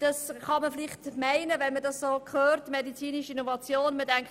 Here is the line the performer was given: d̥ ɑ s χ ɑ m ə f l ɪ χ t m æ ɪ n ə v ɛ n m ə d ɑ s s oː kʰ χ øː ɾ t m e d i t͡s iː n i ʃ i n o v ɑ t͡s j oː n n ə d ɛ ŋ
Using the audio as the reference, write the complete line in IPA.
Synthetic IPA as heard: d̥ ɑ s χ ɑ m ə f l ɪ χ t m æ ɪ n ə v ɛ n m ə d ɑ s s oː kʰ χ øː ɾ t m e d i t͡s iː n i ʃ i n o v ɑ t͡s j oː n m ə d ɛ ŋ